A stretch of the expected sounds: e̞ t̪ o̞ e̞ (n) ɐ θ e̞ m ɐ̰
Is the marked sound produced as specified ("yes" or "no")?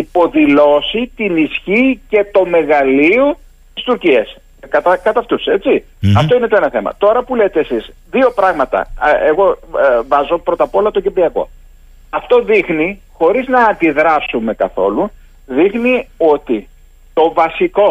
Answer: yes